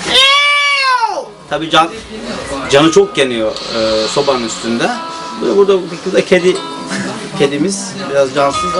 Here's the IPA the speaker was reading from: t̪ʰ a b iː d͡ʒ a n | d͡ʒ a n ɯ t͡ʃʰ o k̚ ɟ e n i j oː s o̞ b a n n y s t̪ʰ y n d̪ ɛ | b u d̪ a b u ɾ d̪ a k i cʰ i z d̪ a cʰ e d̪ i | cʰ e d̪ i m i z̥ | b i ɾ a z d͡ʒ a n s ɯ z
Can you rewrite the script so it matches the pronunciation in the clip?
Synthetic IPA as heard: t̪ʰ a b iː d͡ʒ a n | d͡ʒ a n ɯ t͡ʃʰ o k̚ ɟ e n i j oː s o̞ b a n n y s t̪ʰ y n d̪ ɛ | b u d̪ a b u ɾ d̪ a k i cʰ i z d̪ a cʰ e d̪ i | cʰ e d̪ i m i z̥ | b i ɾ a z d͡ʒ a n s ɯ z

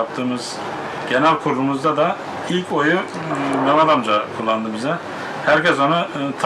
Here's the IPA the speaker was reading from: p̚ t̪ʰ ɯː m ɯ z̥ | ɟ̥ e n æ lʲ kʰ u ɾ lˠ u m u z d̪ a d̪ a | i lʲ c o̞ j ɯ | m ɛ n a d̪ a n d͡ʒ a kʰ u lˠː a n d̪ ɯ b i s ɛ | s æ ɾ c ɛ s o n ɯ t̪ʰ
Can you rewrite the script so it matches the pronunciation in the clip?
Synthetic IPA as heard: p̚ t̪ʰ ɯː m ɯ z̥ | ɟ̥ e n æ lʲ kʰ u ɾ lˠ u m u z d̪ a d̪ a | i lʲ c o̞ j u | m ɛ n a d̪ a m d͡ʒ a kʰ u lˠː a n d̪ ɯ b i z ɛ | h æ ɾ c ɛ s o n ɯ t̪ʰ

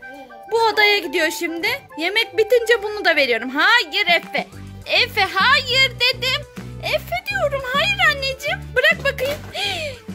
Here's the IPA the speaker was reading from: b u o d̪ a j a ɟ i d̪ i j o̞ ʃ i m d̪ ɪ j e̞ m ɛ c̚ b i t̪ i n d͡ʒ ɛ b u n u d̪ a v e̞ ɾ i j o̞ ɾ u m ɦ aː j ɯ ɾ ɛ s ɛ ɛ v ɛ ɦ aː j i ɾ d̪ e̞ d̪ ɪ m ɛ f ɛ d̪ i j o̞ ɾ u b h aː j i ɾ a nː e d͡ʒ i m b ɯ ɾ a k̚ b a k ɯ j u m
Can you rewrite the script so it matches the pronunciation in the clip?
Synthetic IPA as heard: b u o d̪ a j a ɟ i d̪ i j o̞ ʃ i m d̪ ɪ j e̞ m ɛ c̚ b i t̪ i n d͡ʒ ɛ b u n u d̪ a v e̞ ɾ i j o̞ ɾ u m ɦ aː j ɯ ɾ ɛ f ɛ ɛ f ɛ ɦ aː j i ɾ d̪ e̞ d̪ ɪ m ɛ f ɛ d̪ i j o̞ ɾ u m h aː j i ɾ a nː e d͡ʒ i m b ɯ ɾ a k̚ b a k ɯ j ɯ m

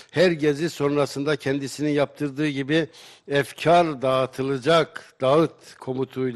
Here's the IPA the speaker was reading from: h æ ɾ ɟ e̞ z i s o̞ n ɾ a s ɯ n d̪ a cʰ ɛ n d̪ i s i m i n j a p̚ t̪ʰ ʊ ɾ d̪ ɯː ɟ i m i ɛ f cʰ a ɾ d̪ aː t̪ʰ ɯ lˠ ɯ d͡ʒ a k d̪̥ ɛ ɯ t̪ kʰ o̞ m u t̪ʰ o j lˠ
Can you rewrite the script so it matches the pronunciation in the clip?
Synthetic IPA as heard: h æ ɾ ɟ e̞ z i s o̞ n ɾ a s ɯ n d̪ a cʰ ɛ n d̪ i s i n i n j a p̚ t̪ʰ ɯ ɾ d̪ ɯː ɟ i b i ɛ f cʰ a ɾ d̪ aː t̪ʰ ɯ lˠ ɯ d͡ʒ a k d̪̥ a ɯ t̪ kʰ o̞ m u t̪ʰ u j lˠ

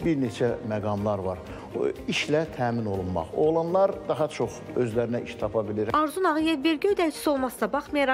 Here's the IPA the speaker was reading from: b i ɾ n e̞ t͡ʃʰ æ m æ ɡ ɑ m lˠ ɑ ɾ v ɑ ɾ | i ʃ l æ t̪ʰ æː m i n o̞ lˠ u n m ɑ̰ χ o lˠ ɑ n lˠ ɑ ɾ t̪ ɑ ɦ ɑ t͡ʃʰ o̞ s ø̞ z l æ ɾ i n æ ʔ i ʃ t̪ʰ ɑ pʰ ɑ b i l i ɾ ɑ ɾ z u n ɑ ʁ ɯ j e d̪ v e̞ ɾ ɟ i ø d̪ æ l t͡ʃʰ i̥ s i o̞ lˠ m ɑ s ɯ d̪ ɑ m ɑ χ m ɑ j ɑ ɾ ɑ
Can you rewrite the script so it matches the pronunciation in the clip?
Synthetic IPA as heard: b i ɾ n e̞ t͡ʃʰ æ m æ ɡ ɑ m lˠ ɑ ɾ v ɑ ɾ | i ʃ l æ t̪ʰ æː m i n o̞ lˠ u n m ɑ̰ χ o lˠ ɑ n lˠ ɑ ɾ d̪ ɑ ɦ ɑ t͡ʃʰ o̞ χ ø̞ z l æ ɾ i n æ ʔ i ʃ t̪ʰ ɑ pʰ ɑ b i l i ɾ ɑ ɾ z u n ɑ ʁ ɯ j e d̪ v e̞ ɾ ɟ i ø d̪ æ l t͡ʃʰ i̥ s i o̞ lˠ m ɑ s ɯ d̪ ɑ b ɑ χ m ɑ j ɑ ɾ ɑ

